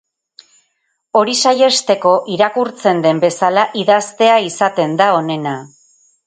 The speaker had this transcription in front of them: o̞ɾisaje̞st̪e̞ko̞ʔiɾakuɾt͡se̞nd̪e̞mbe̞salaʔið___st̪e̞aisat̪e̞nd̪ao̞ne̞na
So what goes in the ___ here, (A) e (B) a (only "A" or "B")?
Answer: B